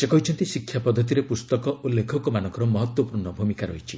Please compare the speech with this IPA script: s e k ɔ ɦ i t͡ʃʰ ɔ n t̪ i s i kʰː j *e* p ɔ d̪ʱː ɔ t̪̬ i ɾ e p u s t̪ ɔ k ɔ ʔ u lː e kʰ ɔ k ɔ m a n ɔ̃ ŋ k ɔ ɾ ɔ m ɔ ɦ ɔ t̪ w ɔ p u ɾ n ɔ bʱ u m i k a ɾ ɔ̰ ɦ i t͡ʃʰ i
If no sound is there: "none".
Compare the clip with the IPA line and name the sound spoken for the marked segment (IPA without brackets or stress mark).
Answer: a